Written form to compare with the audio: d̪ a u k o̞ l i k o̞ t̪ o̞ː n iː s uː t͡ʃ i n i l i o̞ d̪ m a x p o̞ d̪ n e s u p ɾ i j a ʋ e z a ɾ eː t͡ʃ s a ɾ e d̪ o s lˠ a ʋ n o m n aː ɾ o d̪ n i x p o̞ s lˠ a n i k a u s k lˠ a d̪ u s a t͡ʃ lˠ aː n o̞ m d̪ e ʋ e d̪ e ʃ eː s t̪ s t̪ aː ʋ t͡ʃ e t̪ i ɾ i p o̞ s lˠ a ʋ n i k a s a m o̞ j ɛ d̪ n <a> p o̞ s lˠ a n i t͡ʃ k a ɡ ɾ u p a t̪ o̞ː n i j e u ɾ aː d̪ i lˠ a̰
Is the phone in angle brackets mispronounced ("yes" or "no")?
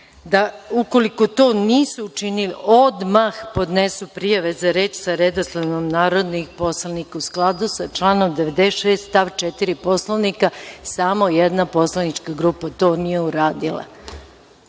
no